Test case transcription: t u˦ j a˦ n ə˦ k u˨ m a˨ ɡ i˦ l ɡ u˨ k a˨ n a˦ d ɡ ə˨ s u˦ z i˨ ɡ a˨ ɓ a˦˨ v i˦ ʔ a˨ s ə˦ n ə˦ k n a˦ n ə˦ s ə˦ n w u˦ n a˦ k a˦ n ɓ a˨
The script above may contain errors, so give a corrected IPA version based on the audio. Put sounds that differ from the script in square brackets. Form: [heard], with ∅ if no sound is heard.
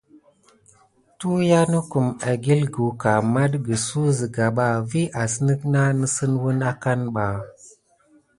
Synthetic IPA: t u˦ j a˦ n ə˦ k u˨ m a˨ ɡ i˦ l ɡ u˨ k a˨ [m] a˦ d ɡ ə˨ s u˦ z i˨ ɡ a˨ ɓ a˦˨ v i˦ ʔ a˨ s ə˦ n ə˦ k n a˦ n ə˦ s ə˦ n w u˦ n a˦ k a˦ n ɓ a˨